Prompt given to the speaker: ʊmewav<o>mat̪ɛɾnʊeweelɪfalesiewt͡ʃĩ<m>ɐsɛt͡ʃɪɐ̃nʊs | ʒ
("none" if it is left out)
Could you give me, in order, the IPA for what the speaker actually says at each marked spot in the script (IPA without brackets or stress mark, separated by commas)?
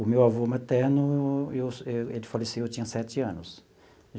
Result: o, ɲ